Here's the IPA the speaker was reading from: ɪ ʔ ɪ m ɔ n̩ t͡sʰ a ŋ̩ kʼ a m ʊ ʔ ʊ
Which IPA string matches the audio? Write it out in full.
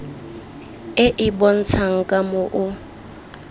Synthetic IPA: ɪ ʔ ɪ b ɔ n̩ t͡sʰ a ŋ̩ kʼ a m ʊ ʔ ʊ